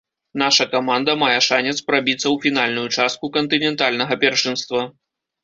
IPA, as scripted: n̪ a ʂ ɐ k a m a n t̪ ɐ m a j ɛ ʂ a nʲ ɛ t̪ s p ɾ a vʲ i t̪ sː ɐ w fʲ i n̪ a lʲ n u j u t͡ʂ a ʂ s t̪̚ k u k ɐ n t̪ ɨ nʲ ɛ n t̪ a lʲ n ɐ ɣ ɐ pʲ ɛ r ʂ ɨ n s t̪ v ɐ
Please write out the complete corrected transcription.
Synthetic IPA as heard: n̪ a ʂ ɐ k a m a n d̪ ɐ m a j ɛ ʂ a nʲ ɛ t̪ s p ɾ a bʲ i t̪ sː ɐ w fʲ i n̪ a lʲ n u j u t͡ʂ a s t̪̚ k u k ɐ n t̪ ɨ nʲ ɛ n t̪ a lʲ n ɐ ɣ ɐ pʲ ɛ r ʂ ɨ n s t̪ v ɐ